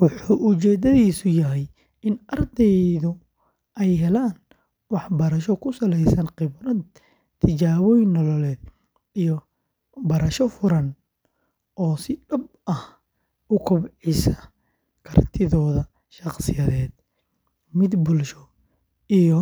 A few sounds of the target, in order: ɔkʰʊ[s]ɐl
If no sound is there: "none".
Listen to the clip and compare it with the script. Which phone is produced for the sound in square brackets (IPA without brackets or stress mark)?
s